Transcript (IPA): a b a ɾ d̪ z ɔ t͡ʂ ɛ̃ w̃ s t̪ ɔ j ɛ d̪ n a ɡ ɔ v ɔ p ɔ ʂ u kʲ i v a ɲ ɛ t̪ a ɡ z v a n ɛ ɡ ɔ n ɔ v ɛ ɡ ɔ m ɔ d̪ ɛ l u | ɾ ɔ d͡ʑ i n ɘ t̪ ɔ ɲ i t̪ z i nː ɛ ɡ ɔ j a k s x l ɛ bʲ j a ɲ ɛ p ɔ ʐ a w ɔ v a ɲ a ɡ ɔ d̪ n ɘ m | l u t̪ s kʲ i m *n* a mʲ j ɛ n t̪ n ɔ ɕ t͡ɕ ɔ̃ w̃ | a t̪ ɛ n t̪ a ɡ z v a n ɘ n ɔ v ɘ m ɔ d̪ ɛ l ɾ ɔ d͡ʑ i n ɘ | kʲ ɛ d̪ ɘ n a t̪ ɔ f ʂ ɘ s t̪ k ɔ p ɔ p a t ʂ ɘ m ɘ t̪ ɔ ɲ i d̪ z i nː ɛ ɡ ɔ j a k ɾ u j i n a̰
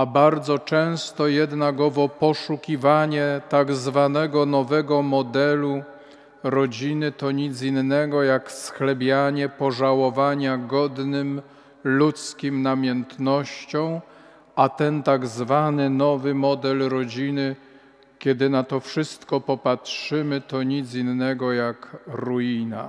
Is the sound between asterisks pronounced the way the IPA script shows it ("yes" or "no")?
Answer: yes